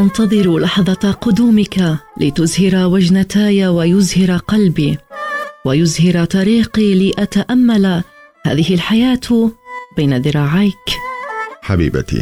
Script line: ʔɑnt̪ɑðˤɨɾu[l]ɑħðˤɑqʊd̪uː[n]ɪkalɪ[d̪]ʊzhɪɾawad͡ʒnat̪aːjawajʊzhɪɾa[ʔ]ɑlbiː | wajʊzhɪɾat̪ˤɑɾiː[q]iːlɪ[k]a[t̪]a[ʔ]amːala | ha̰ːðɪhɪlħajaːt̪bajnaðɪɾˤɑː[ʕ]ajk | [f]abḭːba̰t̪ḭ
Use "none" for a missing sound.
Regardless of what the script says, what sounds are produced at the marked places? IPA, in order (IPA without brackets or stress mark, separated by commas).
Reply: l, m, t̪, q, q, ʔ, t̪, ʔ, ʕ, ħ